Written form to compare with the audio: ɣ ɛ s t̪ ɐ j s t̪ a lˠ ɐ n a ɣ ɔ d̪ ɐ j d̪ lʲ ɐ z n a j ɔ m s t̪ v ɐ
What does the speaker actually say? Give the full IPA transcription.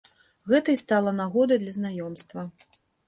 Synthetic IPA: ɣ ɛ t̪ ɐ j s t̪ a lˠ ɐ n a ɣ ɔ d̪ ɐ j d̪ lʲ ɐ z n a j ɔ m s t̪ v ɐ